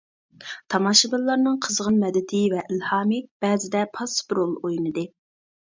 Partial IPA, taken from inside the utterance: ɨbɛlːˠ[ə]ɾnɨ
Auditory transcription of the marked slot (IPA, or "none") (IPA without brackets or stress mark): ɑ